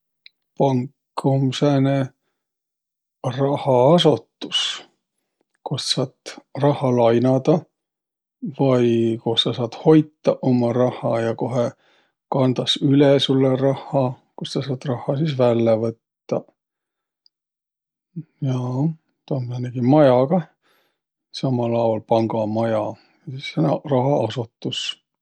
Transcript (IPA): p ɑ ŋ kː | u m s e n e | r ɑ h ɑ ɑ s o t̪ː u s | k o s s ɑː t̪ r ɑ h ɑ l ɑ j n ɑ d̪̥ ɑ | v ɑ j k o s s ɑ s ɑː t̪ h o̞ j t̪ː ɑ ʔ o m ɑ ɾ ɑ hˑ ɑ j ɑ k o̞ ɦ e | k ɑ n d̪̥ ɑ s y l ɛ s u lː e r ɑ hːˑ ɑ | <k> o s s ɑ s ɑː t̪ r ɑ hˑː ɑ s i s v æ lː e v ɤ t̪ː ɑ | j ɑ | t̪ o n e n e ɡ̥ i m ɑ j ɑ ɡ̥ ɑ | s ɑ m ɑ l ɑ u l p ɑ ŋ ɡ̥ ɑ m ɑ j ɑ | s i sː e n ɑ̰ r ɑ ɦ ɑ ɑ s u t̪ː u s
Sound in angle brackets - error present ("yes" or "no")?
no